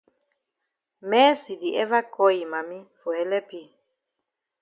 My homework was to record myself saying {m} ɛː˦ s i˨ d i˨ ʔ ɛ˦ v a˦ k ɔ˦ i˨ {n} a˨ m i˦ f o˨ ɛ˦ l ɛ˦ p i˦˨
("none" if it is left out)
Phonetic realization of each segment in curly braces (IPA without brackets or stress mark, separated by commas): m, m